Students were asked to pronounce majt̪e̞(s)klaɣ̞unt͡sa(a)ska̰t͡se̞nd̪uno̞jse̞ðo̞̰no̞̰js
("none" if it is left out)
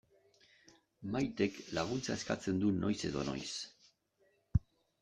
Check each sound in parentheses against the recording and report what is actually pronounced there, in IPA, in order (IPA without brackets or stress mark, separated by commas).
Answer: none, e